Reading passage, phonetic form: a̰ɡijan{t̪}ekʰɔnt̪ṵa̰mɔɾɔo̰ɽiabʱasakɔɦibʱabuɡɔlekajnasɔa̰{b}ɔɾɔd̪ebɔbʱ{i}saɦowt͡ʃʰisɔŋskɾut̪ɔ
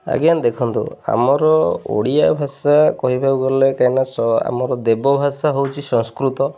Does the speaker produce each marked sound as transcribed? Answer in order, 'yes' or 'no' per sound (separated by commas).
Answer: no, no, no